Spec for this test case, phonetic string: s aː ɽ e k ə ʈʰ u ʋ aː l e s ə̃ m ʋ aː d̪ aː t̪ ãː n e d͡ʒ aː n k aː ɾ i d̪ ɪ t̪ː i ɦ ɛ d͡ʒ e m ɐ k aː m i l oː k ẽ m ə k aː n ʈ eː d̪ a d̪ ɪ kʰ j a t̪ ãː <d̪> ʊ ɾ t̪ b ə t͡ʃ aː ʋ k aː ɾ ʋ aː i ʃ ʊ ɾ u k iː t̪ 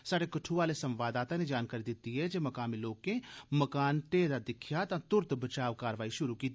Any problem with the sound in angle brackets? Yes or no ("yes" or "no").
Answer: yes